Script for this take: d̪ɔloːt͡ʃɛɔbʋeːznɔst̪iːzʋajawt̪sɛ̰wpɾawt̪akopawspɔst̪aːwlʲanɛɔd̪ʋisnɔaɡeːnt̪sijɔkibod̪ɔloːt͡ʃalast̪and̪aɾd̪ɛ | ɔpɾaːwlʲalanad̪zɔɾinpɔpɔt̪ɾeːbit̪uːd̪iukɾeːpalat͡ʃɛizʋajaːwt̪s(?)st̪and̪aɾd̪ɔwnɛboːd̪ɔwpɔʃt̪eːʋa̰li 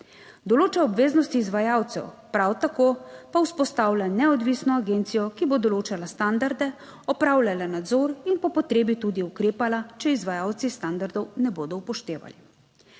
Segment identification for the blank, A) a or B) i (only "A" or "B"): B